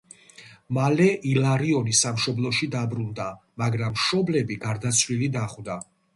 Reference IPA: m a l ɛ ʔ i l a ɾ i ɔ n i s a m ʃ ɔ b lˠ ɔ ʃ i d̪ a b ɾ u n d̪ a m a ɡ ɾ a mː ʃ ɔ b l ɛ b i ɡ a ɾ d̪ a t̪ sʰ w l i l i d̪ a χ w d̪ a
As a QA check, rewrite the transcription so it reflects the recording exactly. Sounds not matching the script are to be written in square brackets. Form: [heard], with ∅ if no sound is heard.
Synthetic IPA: m a l ɛ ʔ i l a ɾ i ɔ n i s a m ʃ ɔ b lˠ ɔ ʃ i d̪ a b ɾ u n d̪ a m a ɡ ɾ a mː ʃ ɔ b l ɛ b i ɡ a ɾ d̪ a t̪ sʰ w l i l i d̪ a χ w d̪ a